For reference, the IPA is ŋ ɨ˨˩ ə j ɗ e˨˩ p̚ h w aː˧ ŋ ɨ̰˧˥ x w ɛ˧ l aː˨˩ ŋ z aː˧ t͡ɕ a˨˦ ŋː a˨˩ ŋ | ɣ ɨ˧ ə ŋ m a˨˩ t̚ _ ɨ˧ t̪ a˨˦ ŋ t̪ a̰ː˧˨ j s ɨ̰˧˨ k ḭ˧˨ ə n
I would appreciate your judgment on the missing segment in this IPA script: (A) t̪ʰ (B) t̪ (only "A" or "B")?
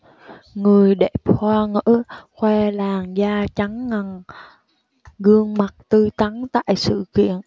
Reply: B